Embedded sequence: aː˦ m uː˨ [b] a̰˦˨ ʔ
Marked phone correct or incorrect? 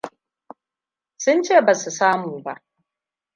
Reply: correct